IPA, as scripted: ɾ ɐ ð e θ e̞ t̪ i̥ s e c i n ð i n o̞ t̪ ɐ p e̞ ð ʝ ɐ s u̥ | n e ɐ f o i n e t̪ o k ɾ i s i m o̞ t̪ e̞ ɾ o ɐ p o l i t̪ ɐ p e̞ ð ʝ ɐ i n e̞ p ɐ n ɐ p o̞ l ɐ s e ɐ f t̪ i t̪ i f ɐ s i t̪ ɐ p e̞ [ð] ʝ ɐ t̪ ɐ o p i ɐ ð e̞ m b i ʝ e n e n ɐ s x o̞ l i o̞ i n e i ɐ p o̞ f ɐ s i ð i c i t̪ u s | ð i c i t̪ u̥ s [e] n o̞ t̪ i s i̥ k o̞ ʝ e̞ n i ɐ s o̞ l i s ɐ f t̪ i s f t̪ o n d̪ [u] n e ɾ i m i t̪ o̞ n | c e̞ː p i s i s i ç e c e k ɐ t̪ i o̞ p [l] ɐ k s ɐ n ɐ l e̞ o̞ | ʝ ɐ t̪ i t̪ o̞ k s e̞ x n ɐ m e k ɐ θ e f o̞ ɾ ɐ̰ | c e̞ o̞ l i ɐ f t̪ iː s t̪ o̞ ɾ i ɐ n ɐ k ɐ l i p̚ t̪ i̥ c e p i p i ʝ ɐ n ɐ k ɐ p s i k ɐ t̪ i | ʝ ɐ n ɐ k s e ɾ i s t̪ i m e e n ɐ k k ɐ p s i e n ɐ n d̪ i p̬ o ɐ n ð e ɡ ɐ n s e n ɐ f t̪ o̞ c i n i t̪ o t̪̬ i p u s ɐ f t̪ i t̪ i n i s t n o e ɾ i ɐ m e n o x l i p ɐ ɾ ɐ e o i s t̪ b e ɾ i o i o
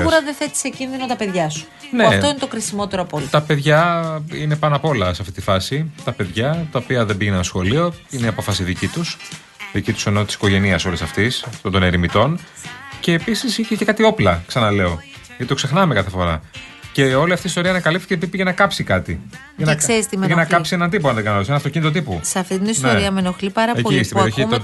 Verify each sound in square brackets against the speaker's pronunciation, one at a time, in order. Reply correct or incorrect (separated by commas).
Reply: correct, correct, incorrect, correct